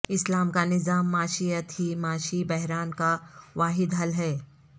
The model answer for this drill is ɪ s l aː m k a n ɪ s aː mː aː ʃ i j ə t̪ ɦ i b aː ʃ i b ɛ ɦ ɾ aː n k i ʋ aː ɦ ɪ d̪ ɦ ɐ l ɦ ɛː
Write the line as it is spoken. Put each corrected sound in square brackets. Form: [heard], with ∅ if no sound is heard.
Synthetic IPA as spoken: ɪ s l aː m k a n ɪ [z] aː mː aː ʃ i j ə t̪ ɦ i [m] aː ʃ i b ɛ ɦ ɾ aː n k [a] ʋ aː ɦ ɪ d̪ ɦ ɐ l ɦ ɛː